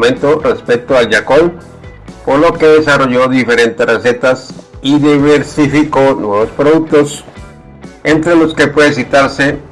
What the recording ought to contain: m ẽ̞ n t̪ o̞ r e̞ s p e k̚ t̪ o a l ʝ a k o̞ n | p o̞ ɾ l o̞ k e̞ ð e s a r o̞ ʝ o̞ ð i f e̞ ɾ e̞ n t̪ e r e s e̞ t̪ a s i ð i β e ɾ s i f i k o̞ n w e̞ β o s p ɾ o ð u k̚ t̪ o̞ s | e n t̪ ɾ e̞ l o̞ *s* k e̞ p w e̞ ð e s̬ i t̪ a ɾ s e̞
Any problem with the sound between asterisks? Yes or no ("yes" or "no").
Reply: no